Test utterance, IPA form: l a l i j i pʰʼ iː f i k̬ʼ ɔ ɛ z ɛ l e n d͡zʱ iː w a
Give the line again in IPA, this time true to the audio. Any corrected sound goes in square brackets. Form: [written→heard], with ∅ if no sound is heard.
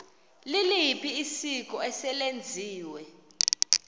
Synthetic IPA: l [a→i] l i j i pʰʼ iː [f→s] i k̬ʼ ɔ ɛ [z→s] ɛ l e n d͡zʱ iː w [a→ɛ]